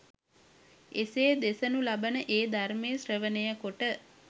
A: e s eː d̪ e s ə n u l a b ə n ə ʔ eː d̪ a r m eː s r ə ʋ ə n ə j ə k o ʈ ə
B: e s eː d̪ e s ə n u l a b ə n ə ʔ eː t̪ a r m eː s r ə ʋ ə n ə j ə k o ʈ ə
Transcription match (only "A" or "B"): A